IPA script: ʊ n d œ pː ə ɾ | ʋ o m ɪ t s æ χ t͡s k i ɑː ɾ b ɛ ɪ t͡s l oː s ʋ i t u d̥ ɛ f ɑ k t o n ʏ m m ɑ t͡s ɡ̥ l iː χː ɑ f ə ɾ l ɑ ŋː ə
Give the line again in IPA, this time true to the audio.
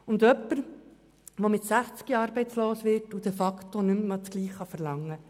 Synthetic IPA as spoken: ʊ n d œ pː ə ɾ | ʋ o m ɪ t s æ χ t͡s k i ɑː ɾ b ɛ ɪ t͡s l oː s ʋ ɪ t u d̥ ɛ f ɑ k t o n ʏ m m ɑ t͡s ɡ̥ l iː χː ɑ f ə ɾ l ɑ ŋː ə